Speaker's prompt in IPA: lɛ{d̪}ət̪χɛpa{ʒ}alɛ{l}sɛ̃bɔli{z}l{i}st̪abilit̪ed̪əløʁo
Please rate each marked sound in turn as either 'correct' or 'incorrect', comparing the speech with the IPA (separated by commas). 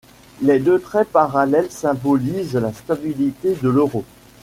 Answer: correct, incorrect, correct, correct, incorrect